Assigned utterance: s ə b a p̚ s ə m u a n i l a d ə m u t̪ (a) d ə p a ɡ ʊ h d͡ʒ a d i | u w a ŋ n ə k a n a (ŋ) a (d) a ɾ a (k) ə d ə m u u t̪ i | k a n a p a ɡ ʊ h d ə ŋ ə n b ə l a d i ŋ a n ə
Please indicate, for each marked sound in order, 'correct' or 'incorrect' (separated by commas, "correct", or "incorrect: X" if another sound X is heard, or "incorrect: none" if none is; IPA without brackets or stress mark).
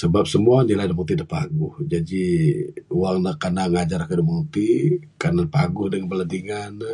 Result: incorrect: i, correct, incorrect: d͡ʒ, correct